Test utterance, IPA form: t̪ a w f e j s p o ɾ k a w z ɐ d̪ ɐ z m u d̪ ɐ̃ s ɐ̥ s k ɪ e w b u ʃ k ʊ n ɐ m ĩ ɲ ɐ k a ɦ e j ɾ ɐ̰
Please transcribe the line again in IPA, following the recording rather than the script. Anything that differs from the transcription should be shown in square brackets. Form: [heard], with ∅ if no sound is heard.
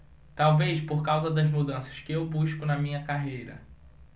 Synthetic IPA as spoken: t̪ a w [v] e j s p o ɾ k a w z ɐ d̪ ɐ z m u d̪ ɐ̃ s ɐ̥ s k ɪ e w b u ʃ k ʊ n ɐ m ĩ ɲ ɐ k a ɦ e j ɾ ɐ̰